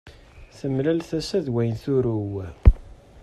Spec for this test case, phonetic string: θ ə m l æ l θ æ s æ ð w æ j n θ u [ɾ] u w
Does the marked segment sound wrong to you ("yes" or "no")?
no